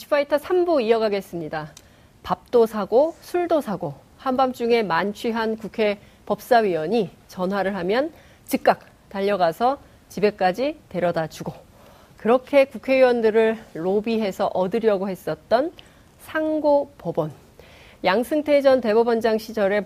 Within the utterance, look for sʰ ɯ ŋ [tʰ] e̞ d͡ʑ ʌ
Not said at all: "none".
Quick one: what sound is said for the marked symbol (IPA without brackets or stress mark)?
tʰ